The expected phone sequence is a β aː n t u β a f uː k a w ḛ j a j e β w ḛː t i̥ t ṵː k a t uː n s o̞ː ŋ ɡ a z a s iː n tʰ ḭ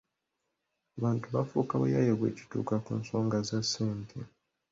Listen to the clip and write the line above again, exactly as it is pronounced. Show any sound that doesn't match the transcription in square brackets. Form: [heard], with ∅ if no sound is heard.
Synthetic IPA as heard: a β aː n t u β a f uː k a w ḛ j a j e β w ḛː [c] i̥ t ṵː k a [k] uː n s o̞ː ŋ ɡ a z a s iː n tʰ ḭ